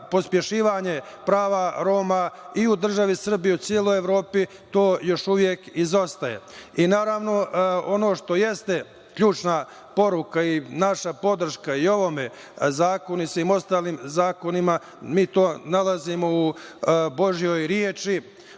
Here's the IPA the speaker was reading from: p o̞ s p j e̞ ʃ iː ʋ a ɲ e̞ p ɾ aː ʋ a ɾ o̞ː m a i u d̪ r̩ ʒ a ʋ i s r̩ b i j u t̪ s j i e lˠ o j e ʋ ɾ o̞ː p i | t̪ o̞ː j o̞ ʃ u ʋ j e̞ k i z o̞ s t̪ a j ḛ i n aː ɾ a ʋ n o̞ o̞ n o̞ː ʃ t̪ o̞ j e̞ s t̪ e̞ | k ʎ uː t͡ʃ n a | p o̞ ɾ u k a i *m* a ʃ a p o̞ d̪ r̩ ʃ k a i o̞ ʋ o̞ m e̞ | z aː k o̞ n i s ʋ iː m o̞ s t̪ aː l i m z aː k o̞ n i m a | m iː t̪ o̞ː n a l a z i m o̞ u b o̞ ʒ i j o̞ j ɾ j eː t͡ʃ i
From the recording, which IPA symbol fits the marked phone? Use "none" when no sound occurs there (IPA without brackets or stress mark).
n